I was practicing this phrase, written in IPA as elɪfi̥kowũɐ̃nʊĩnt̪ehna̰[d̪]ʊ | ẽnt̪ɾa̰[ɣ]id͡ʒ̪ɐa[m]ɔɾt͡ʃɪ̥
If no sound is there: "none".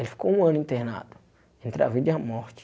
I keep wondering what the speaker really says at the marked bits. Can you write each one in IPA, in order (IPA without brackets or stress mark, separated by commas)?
d̪, v, m